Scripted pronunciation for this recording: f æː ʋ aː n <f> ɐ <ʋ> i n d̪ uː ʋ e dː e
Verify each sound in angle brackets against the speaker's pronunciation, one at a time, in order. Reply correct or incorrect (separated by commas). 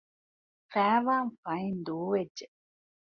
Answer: correct, incorrect